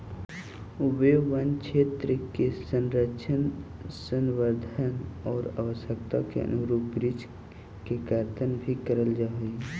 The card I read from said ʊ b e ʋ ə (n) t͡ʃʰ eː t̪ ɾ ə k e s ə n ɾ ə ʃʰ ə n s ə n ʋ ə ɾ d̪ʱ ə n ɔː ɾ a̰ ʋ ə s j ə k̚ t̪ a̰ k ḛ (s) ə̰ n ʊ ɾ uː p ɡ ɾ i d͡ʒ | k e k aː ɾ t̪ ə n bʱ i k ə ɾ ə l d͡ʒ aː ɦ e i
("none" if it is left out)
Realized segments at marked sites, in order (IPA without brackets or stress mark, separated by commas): n, none